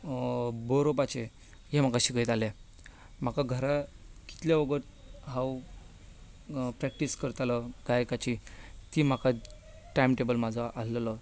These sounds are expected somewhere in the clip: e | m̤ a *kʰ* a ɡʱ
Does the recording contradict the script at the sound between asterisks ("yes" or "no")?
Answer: yes